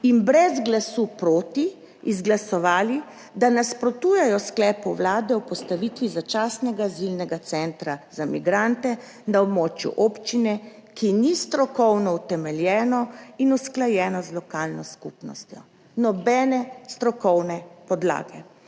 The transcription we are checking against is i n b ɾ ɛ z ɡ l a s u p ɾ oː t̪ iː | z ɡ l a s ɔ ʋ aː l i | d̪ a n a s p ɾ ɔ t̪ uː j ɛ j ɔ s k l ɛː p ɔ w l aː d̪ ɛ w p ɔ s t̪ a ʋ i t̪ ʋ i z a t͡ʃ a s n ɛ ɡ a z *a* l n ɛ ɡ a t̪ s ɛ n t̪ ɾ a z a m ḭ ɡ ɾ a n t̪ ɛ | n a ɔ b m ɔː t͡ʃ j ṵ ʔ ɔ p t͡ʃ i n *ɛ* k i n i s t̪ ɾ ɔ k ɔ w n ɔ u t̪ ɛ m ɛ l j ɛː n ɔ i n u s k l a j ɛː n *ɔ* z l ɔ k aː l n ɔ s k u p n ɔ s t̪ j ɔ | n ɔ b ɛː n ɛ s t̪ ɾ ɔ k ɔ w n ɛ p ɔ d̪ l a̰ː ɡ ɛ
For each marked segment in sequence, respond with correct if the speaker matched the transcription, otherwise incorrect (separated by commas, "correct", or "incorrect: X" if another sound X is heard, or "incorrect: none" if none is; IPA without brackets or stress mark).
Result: incorrect: i, correct, correct